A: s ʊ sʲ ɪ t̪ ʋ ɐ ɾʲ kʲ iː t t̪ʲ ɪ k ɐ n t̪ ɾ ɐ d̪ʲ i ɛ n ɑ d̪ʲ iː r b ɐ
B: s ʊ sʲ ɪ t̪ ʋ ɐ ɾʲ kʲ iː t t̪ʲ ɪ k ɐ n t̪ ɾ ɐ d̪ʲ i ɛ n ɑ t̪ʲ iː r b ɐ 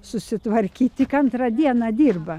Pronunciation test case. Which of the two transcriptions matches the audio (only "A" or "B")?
A